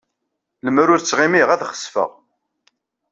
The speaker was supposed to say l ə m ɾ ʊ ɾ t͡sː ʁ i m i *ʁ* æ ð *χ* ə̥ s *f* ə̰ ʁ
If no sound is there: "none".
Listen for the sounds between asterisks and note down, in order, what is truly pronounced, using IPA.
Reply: ʁ, χ, f

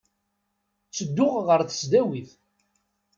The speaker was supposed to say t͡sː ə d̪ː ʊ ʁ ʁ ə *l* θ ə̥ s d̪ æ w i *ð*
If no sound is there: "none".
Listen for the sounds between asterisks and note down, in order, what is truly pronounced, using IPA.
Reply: ɾ, θ

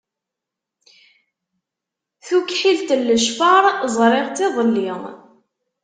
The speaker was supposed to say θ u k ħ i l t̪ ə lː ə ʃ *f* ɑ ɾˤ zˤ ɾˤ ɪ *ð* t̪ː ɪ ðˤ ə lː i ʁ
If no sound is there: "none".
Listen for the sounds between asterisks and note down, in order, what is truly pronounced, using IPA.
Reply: f, ʁ

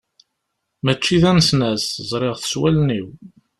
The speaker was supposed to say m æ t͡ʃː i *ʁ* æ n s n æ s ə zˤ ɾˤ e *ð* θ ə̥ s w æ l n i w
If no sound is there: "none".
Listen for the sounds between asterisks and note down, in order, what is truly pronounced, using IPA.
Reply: ð, ʁ

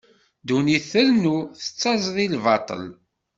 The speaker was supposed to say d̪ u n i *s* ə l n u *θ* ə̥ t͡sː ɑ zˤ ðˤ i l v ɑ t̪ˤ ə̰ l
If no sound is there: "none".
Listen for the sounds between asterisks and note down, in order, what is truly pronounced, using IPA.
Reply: θ, θ

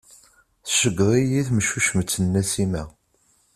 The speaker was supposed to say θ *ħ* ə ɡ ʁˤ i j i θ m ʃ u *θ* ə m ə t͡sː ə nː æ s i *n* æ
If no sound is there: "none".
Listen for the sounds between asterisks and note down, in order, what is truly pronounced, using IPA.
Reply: ʃ, ʃ, m

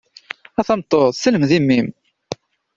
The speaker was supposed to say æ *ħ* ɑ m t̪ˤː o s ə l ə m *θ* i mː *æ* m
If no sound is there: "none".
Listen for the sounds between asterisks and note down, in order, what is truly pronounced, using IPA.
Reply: θ, ð, i

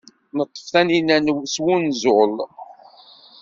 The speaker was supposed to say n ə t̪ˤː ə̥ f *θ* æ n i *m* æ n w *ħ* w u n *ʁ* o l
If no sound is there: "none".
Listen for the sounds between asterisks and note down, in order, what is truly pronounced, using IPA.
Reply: θ, n, s, z

